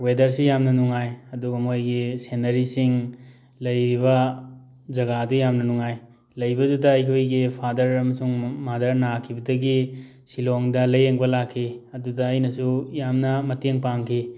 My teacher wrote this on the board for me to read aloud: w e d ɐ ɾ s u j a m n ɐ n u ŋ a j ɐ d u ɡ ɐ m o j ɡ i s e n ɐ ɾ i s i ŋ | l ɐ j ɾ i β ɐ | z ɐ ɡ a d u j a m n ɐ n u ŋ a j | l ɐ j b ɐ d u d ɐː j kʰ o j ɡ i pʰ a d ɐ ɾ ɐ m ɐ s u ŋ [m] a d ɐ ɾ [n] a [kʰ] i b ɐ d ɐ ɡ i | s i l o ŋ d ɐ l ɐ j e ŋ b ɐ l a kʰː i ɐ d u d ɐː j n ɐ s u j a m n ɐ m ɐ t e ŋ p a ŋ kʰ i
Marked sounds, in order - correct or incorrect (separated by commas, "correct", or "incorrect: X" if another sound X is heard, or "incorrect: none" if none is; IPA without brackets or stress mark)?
correct, correct, correct